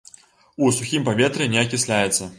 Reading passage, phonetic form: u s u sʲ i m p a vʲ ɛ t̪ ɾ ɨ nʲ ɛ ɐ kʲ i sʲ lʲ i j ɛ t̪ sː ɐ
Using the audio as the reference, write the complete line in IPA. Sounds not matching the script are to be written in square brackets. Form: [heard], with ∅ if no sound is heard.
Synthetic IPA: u s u [xʲ] i m p a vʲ ɛ t̪ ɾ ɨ nʲ ɛ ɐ kʲ i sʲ lʲ [a] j ɛ t̪ sː ɐ